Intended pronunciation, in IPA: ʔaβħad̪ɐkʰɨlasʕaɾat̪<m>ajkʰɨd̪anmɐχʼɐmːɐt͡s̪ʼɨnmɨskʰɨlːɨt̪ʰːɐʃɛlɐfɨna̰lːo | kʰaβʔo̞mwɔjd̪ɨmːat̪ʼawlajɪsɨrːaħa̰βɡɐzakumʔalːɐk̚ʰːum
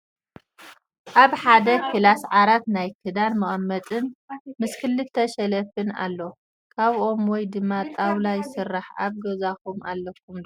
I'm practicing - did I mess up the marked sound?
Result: yes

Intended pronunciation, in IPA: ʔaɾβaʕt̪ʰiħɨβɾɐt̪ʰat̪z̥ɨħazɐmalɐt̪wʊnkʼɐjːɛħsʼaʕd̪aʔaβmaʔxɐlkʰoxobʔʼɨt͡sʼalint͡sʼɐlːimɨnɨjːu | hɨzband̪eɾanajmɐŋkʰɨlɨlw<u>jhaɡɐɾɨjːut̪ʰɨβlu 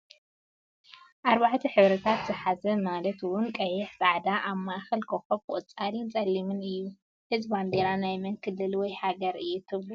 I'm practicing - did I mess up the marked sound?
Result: yes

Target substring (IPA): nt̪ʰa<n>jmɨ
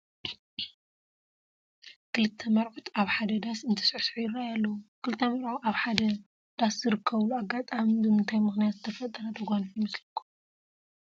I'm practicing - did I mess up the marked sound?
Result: yes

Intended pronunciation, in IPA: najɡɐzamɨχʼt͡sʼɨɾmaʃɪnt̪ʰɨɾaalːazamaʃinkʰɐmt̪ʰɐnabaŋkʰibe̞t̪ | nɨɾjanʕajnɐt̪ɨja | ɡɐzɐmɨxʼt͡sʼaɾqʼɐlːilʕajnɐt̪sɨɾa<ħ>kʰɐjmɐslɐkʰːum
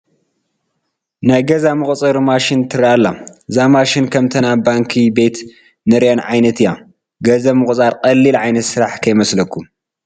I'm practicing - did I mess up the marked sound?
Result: no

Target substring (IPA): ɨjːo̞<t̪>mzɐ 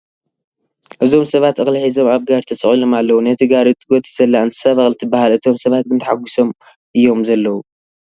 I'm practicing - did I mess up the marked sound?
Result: yes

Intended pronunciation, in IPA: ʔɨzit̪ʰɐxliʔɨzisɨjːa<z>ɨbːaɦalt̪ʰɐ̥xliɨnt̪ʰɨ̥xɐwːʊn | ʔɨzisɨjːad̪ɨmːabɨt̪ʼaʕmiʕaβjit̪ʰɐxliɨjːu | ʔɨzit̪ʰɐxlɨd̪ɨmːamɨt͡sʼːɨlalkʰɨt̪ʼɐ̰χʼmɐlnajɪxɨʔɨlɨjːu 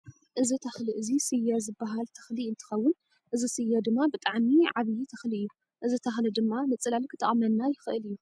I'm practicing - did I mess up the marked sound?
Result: no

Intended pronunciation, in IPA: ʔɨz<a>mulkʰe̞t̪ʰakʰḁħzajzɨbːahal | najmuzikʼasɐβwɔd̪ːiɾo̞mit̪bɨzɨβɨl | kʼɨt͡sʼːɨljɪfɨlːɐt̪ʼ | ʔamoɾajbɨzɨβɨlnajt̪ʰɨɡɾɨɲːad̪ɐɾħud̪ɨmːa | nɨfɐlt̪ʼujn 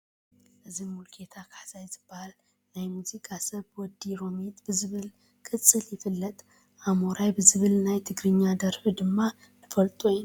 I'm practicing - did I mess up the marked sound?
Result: yes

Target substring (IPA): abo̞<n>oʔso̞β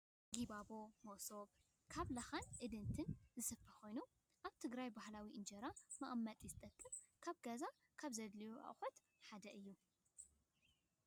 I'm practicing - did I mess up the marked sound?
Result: yes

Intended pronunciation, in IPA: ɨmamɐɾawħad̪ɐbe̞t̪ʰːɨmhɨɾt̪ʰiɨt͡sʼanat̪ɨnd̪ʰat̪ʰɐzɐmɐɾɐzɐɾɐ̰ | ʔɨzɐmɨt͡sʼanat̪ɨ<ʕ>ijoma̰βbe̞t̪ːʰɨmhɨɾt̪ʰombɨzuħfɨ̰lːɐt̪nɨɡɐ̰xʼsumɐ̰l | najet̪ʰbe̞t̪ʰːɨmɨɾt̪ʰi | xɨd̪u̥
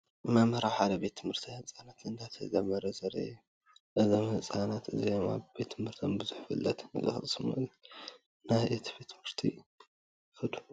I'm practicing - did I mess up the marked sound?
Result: yes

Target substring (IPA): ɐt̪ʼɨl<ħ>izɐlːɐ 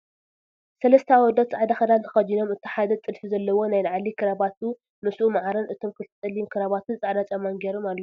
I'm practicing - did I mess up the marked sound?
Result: yes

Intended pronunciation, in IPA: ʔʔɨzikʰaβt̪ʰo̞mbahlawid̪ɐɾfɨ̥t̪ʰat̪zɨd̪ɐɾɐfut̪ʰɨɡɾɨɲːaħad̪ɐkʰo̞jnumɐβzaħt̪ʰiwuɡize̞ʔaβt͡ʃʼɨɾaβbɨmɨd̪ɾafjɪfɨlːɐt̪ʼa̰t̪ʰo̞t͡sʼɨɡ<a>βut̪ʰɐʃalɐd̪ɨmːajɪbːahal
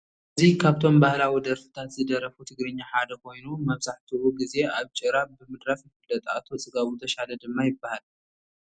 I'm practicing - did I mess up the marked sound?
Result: no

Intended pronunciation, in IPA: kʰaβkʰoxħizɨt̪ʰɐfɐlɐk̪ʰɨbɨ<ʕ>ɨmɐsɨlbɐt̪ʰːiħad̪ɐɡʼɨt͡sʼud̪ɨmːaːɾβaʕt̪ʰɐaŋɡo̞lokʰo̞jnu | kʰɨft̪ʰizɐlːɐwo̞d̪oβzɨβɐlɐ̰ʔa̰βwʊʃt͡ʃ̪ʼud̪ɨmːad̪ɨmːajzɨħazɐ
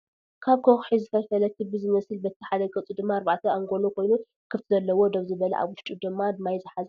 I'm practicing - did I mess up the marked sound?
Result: yes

